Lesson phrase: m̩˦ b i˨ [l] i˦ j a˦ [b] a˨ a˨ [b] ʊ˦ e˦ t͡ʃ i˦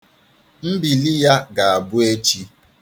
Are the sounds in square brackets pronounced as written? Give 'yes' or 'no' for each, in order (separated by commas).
yes, no, yes